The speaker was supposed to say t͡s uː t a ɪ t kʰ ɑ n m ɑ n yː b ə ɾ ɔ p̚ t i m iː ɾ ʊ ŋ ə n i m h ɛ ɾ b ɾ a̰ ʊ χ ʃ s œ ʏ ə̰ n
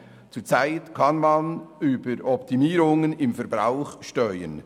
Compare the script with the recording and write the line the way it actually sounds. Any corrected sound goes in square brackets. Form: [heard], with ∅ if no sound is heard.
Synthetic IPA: t͡s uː [t͡s] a ɪ t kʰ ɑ n m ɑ n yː b ə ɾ ɔ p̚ t i m iː ɾ ʊ ŋ ə n [ɪ] m [f] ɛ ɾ b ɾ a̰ ʊ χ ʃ [t] œ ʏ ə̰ n